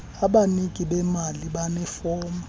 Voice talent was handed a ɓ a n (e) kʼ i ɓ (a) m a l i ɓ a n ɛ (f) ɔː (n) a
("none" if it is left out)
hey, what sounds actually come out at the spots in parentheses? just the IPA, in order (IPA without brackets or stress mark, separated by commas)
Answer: i, ɛ, f, m